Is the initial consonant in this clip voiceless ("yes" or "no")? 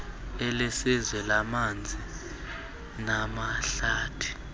no